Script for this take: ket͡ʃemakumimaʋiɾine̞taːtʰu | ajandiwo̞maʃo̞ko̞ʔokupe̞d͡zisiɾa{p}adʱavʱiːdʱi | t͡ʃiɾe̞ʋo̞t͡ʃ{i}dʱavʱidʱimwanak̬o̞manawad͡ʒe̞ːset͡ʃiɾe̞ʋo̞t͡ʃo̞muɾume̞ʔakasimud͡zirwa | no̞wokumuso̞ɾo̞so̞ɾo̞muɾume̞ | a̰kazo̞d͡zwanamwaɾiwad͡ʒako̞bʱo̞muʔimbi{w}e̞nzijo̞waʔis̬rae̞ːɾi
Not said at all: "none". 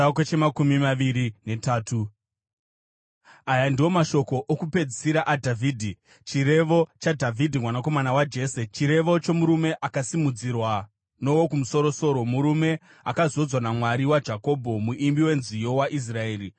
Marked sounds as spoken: ʔ, a, w

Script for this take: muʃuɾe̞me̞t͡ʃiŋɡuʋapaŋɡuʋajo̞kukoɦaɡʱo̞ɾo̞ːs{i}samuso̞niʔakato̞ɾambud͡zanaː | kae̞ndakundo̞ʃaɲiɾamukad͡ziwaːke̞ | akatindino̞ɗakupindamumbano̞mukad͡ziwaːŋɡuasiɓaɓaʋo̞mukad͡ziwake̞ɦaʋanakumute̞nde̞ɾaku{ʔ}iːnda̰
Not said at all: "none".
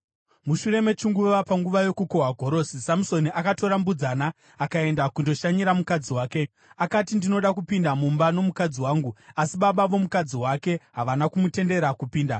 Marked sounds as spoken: i, p

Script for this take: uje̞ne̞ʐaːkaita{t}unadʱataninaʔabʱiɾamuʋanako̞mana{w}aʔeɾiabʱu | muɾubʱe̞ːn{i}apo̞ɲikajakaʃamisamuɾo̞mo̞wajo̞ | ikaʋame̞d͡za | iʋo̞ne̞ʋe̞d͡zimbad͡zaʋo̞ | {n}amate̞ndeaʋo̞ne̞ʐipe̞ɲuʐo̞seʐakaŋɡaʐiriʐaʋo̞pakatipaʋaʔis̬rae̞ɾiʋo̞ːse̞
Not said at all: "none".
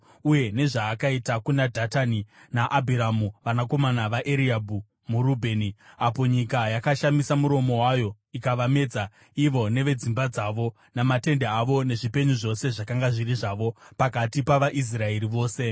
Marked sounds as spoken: k, ʋ, i, n

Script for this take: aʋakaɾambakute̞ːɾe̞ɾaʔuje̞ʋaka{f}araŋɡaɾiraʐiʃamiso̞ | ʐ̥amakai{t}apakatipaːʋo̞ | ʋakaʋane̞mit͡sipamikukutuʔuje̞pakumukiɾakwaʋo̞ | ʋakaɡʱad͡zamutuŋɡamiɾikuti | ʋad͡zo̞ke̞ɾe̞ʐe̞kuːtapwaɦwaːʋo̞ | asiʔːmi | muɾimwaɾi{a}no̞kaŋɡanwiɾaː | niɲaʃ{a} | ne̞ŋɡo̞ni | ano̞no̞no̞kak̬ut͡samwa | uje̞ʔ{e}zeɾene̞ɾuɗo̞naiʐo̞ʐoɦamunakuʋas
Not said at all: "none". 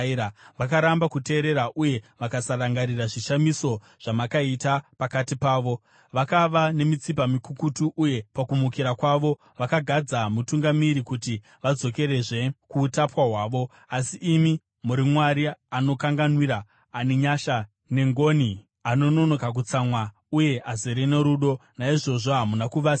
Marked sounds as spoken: s, t, a, a, a

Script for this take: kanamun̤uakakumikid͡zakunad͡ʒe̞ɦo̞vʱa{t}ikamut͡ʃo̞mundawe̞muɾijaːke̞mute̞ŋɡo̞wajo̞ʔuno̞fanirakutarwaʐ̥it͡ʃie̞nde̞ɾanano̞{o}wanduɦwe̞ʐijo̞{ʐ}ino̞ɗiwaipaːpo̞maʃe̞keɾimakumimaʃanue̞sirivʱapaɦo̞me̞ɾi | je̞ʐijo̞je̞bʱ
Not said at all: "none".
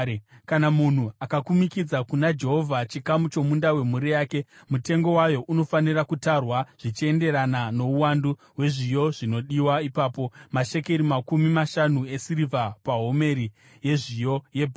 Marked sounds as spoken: t͡ʃ, u, ʐ

